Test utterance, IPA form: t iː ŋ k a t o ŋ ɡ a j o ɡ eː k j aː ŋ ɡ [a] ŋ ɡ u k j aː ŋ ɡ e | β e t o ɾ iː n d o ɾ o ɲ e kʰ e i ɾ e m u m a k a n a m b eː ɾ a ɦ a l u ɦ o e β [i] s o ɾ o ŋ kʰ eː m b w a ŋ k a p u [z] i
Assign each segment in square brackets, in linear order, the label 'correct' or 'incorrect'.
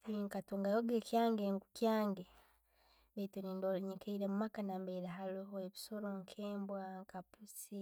incorrect: e, correct, incorrect: s

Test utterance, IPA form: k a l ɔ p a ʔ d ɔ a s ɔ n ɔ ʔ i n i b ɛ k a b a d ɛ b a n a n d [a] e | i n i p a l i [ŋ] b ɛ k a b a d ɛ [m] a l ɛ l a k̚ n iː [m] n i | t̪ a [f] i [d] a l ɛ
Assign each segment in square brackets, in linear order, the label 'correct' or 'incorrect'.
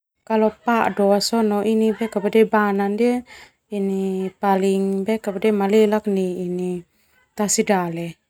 incorrect: i, correct, correct, incorrect: none, incorrect: s, correct

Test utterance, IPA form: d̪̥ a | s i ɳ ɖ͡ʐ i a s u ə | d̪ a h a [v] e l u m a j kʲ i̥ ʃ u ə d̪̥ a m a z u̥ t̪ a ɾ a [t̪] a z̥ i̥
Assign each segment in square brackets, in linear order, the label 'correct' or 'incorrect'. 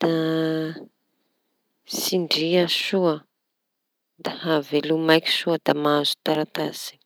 correct, correct

